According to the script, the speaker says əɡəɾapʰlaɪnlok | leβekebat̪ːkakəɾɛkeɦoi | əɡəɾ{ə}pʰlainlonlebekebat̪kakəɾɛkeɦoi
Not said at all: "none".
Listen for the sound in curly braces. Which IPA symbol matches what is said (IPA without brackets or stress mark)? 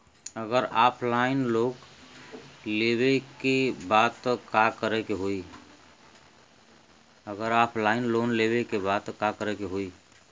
a